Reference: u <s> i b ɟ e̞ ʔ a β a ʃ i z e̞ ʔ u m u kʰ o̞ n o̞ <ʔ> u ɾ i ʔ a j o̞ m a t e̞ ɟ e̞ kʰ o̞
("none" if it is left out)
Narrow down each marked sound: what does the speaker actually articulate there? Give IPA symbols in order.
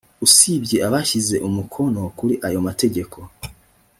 s, k

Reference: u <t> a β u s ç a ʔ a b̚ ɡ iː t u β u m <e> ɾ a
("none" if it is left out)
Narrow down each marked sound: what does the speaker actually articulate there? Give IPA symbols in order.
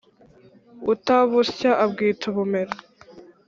t, e

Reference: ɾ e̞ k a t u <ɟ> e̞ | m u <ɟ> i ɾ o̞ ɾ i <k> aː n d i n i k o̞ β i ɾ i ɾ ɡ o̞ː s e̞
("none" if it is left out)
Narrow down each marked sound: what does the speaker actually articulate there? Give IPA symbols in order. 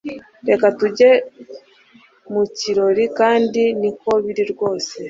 ɟ, c, k

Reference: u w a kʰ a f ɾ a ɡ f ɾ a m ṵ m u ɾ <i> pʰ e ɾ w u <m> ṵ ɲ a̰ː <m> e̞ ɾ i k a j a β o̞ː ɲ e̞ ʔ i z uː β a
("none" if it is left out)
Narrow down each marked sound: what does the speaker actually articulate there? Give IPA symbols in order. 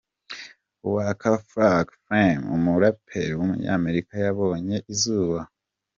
a, m, m

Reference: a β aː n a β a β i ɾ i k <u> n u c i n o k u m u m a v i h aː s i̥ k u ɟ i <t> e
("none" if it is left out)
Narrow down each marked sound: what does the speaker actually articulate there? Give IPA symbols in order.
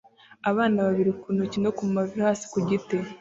u, t

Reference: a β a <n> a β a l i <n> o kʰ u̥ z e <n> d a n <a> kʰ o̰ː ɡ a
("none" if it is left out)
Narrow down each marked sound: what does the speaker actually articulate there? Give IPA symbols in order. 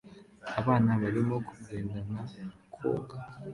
n, m, n, a

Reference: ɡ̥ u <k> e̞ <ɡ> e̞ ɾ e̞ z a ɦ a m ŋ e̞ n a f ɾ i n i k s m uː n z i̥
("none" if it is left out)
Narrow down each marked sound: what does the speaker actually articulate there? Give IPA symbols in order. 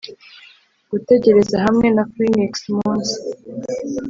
t, ɟ

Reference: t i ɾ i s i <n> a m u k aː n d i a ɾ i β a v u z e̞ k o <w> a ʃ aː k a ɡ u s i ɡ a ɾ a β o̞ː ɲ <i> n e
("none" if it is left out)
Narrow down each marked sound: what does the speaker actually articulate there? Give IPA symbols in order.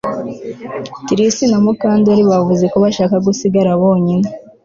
n, β, i

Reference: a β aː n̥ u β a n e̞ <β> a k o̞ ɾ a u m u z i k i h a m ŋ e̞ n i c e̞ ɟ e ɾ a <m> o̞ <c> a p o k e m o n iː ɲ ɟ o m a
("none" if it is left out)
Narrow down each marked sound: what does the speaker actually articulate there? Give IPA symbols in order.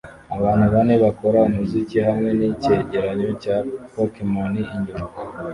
β, ɲ, c

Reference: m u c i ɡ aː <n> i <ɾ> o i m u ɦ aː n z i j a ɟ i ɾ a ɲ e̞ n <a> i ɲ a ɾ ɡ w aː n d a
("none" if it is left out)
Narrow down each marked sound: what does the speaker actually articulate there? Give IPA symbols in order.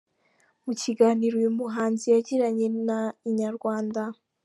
n, ɾ, a

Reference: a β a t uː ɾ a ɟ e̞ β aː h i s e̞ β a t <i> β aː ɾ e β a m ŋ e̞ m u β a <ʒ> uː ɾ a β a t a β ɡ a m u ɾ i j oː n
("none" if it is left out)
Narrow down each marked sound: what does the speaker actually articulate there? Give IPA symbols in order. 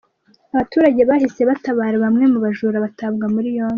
a, ʒ

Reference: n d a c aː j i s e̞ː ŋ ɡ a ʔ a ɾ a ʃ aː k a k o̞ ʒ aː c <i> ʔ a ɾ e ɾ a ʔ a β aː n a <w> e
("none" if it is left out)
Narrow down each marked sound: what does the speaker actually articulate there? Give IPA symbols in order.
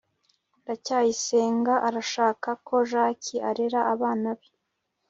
i, β

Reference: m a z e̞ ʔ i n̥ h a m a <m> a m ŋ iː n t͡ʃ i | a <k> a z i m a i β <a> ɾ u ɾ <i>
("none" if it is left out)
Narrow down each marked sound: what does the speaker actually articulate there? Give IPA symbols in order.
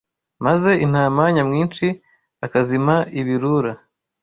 ɲ, k, i, a

